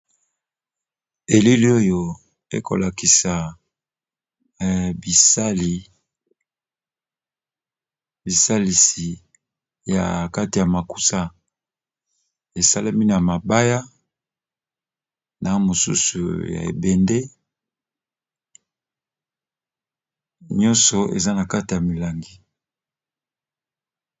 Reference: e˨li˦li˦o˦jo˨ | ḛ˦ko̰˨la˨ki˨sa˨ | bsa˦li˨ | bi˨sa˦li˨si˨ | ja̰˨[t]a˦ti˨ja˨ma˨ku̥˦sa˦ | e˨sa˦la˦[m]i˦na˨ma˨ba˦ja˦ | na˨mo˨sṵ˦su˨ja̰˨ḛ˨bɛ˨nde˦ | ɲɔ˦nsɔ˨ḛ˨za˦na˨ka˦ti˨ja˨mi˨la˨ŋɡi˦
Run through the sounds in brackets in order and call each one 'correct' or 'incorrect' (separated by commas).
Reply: incorrect, correct